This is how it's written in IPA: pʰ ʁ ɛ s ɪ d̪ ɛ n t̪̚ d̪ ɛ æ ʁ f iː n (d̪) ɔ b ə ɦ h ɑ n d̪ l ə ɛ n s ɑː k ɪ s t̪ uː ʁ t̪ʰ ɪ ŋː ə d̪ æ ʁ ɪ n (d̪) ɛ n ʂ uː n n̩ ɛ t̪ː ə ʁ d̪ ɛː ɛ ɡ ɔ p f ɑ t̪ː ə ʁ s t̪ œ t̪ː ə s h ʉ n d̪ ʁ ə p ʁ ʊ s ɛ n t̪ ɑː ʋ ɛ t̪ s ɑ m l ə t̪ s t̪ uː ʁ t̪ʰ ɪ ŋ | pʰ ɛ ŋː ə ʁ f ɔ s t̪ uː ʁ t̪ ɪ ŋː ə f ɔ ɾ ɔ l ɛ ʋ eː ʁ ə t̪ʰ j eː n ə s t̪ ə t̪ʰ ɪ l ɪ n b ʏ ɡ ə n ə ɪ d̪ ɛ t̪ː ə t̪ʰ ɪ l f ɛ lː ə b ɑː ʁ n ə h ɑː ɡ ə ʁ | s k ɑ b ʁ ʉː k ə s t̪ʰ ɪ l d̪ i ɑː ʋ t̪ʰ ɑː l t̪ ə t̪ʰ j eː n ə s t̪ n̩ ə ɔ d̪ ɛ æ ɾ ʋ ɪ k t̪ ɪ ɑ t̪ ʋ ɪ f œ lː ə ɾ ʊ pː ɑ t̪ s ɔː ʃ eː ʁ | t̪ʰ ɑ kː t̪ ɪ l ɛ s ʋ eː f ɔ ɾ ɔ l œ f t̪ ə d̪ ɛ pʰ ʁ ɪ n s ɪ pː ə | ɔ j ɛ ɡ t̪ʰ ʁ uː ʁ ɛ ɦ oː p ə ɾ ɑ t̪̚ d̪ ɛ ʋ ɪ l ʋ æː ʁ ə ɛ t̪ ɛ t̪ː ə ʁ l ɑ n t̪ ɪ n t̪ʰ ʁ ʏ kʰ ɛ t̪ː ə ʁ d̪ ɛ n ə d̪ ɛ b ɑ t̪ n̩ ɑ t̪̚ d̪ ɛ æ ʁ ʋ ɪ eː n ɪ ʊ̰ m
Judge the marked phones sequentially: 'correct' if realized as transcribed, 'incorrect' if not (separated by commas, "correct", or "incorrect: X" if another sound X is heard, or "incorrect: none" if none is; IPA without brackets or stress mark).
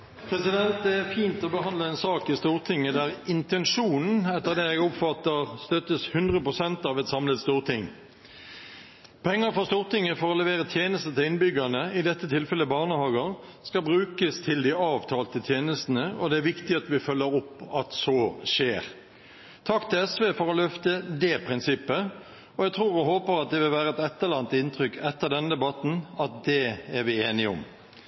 incorrect: t̪, incorrect: t̪